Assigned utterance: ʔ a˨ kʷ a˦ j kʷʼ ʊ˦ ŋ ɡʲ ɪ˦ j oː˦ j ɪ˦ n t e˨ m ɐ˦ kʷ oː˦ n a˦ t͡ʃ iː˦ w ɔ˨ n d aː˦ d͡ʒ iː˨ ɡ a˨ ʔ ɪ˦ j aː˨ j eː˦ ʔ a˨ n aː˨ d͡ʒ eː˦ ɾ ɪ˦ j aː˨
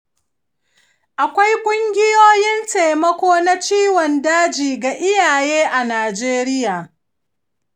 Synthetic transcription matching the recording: ʔ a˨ kʷ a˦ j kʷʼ ʊ˦ ŋ ɡʲ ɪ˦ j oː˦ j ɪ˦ n t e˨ m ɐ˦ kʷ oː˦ n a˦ t͡ʃ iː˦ w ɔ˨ n d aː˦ d͡ʒ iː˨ ɡ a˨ ʔ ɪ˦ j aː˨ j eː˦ ʔ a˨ n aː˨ d͡ʒ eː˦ ɾ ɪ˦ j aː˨